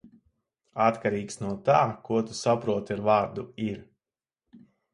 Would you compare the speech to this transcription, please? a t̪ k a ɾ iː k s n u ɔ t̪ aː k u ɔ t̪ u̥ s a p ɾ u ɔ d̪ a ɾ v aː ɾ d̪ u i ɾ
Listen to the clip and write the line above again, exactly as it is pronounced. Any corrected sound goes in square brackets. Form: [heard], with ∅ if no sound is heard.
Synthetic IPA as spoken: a t̪ k a ɾ iː k s n u ɔ t̪ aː k u ɔ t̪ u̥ s a p ɾ u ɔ [t̪] a ɾ v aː ɾ d̪ u i ɾ